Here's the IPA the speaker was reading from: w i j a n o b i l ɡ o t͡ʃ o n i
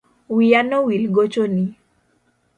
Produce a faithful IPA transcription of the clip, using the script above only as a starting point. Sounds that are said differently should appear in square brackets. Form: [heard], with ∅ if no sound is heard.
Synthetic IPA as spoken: w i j a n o [w] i l ɡ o t͡ʃ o n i